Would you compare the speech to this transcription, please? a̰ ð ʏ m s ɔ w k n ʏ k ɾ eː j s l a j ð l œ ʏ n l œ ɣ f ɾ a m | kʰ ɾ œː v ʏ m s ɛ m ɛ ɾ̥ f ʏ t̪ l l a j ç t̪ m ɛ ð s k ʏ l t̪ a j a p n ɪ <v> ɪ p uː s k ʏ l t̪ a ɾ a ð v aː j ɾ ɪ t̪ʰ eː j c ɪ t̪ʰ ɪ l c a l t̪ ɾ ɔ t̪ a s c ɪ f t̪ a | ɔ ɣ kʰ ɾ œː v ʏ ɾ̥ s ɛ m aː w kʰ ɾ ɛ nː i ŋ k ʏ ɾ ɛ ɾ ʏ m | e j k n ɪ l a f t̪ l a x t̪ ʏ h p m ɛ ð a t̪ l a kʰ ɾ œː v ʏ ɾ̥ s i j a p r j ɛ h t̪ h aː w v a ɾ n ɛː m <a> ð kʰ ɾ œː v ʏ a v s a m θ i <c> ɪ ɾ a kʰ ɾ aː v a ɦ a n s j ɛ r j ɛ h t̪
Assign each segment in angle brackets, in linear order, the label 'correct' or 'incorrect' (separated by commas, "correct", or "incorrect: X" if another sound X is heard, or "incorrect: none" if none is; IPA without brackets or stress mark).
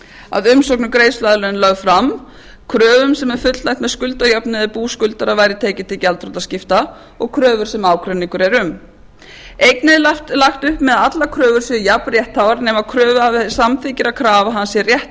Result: incorrect: ð, correct, correct